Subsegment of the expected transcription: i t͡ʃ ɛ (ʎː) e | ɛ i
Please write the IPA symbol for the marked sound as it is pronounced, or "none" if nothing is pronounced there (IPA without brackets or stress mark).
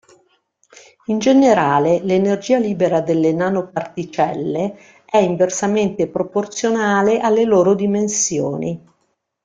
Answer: lː